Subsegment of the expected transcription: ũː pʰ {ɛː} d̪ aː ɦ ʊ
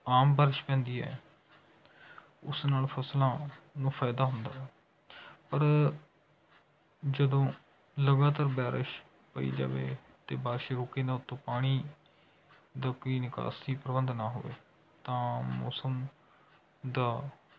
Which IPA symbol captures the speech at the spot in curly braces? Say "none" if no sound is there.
aː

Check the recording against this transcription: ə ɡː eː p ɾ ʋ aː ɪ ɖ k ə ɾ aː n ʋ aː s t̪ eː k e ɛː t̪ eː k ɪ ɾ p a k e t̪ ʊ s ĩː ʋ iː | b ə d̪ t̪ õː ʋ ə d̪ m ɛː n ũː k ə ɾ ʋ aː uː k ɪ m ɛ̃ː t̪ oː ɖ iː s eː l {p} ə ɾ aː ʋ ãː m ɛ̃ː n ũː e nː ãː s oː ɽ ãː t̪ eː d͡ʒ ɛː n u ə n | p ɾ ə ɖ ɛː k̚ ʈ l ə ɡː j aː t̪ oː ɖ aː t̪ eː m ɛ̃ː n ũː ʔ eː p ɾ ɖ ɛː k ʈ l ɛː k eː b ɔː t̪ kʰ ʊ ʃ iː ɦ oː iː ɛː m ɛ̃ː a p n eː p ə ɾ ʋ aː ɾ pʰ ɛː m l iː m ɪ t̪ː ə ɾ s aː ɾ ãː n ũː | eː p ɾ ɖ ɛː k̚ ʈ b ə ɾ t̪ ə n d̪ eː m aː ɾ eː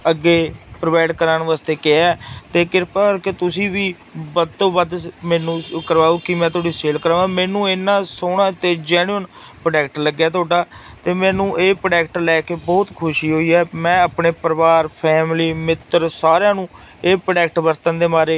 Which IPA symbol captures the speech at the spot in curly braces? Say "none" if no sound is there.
k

